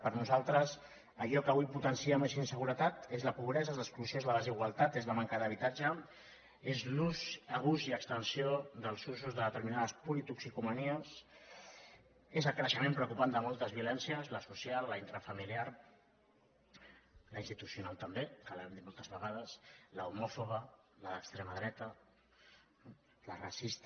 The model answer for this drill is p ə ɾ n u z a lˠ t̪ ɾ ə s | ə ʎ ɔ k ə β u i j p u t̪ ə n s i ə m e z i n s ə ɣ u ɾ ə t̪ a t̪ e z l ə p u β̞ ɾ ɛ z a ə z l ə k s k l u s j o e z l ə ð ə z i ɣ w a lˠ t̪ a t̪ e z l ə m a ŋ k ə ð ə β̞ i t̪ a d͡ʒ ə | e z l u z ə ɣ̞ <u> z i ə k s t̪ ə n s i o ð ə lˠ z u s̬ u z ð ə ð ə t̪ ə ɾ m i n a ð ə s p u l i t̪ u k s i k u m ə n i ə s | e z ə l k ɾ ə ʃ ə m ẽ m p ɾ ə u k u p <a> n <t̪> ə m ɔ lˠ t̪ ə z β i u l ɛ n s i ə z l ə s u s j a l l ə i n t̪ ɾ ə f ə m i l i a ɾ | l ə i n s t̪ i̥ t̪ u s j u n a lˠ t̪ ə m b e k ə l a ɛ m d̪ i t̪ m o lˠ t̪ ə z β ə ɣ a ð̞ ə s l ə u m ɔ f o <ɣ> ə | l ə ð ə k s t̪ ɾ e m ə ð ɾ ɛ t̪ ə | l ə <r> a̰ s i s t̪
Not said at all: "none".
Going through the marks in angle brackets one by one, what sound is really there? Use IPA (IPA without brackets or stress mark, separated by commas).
u, a, d̪, ɣ, r